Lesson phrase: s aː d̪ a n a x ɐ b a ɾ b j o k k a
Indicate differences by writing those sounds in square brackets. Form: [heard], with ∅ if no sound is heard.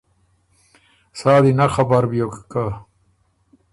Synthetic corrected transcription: s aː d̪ [i] n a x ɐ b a ɾ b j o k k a